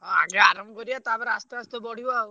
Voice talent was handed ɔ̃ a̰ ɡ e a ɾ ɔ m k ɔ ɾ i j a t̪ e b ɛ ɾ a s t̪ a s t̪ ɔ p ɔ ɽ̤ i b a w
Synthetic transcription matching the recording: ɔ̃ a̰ ɡ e a ɾ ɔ m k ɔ ɾ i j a t̪ a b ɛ ɾ a s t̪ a s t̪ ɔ b ɔ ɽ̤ i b a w

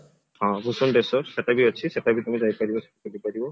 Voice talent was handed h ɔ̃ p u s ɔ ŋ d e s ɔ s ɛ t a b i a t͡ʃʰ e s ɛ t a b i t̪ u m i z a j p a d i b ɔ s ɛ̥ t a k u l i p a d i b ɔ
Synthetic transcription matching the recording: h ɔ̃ b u s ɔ n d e s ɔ s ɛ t a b i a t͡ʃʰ i s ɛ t a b i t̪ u m i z a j p a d i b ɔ s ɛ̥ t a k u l i p a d i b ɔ

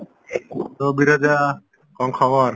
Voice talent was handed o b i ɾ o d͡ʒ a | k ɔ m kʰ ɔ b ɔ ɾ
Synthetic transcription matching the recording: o b i ɾ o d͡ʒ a | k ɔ ŋ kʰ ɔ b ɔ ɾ

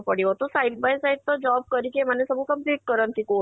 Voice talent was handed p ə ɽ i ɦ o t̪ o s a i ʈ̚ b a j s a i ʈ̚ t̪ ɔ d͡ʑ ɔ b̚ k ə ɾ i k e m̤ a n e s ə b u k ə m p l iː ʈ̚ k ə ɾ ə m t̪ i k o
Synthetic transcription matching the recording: p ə ɽ i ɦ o t̪ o s a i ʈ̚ b a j s a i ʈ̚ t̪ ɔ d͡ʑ ɔ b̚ k ə ɾ i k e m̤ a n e s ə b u k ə m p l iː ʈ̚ k ə ɾ ə n t̪ i k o

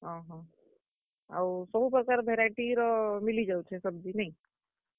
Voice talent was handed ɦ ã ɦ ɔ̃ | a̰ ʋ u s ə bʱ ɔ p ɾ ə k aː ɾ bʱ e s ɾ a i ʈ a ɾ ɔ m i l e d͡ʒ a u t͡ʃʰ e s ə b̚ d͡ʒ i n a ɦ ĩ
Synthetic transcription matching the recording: ɦ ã ɦ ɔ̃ | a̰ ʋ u s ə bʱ u p ɾ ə k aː ɾ bʱ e ɾ a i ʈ i ɾ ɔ m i l i d͡ʒ a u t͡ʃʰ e s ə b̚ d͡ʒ i n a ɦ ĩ

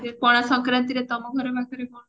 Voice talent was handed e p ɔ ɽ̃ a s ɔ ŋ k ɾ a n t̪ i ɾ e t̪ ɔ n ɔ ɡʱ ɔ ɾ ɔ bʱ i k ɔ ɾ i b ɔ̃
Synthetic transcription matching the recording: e p ɔ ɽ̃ a s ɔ ŋ k ɾ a n t̪ i ɾ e t̪ ɔ m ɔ ɡʱ ɔ ɾ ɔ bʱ a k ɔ ɾ e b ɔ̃

